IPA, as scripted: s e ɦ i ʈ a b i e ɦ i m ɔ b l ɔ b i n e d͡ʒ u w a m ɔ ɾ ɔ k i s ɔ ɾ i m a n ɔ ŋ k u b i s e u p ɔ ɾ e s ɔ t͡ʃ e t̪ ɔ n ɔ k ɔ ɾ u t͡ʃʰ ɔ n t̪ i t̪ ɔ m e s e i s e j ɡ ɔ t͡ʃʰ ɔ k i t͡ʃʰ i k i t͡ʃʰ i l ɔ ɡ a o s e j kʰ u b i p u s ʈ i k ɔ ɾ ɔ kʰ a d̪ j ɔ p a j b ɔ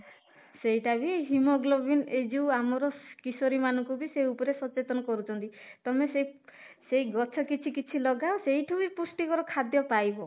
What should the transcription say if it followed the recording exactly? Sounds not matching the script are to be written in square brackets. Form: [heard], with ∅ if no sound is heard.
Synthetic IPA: s e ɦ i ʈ a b i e ɦ i m ɔ [ɡ] l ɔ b i n e d͡ʒ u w a m ɔ ɾ ɔ k i s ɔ ɾ i m a n ɔ ŋ k u b i s e u p ɔ ɾ e s ɔ t͡ʃ e t̪ ɔ n ɔ k ɔ ɾ u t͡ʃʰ ɔ n t̪ i t̪ ɔ m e s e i s e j ɡ ɔ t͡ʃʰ ɔ k i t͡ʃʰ i k i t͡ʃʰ i l ɔ ɡ a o s e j [ʈʰ] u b i p u s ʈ i k ɔ ɾ ɔ kʰ a d̪ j ɔ p a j b ɔ